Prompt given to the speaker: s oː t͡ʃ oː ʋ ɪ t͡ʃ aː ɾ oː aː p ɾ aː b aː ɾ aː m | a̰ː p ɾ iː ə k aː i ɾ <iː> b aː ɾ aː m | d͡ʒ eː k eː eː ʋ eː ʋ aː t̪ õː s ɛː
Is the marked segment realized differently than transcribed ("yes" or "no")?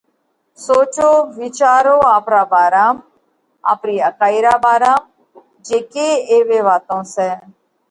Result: yes